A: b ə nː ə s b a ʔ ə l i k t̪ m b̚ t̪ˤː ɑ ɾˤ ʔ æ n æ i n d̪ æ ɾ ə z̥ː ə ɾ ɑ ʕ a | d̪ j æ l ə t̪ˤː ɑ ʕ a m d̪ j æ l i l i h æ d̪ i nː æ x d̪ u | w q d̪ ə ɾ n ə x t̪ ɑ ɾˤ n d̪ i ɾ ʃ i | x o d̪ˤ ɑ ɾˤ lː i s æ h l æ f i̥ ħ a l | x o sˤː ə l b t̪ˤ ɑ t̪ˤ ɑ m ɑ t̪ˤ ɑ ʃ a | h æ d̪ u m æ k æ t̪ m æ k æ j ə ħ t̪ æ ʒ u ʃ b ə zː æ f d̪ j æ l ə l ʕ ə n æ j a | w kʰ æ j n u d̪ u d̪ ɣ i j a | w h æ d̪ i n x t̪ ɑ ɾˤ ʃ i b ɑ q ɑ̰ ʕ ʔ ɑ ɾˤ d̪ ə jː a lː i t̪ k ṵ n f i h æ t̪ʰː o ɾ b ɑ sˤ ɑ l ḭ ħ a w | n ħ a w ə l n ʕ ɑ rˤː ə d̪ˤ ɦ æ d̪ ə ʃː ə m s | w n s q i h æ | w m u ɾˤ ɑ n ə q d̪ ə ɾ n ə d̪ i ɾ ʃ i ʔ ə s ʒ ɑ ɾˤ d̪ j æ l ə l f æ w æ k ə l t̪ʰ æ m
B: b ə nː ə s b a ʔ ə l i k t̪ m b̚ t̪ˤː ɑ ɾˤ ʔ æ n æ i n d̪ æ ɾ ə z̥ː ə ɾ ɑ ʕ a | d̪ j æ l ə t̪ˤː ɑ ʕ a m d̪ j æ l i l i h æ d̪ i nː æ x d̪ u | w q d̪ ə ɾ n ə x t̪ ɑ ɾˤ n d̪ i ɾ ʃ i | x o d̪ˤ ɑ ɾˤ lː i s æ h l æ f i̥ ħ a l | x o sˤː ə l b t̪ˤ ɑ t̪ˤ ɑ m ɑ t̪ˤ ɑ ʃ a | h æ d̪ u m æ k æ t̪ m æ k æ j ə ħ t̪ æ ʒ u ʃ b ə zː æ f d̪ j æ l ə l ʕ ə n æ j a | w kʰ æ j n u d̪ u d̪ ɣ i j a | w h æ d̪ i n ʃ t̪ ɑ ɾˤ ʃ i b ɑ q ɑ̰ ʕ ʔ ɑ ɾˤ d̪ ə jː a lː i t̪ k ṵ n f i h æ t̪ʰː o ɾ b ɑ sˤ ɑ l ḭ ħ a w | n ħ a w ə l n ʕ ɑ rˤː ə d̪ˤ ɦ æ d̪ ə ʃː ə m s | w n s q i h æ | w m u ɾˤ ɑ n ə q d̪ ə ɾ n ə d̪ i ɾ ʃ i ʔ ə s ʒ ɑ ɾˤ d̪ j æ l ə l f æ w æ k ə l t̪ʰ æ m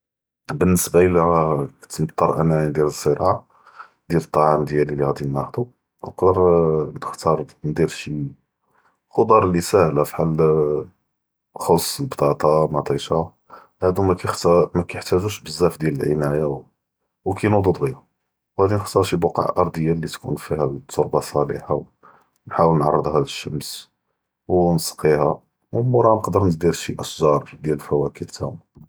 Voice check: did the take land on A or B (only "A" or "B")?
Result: A